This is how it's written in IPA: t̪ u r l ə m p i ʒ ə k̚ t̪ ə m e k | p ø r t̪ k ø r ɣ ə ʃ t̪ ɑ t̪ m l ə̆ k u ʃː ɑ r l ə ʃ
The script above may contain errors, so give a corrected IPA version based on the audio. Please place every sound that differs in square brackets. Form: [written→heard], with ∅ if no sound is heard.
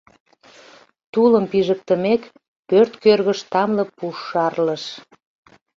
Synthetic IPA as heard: t̪ u [r→∅] l ə m p i ʒ ə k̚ t̪ ə m e k | p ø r t̪ k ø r ɣ ə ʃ t̪ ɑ [t̪→∅] m l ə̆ [k→p] u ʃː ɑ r l ə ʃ